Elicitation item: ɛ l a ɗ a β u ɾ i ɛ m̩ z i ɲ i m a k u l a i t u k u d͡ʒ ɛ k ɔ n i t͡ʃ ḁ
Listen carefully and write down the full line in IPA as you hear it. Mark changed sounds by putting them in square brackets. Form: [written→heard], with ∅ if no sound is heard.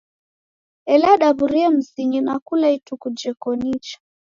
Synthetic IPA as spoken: ɛ l a ɗ a β u ɾ i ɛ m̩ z i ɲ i [m→n] a k u l a i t u k u d͡ʒ ɛ k ɔ n i t͡ʃ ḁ